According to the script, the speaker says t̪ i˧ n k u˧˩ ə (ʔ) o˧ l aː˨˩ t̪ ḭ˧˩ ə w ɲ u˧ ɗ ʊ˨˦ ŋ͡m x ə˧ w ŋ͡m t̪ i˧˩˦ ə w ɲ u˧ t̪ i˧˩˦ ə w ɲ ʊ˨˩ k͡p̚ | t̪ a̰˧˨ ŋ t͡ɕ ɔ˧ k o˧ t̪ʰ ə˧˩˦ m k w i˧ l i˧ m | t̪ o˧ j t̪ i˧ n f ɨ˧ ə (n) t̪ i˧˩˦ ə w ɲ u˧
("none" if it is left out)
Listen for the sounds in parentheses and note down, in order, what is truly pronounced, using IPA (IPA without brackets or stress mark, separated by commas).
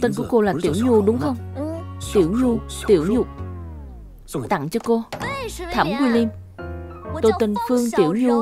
k, ŋ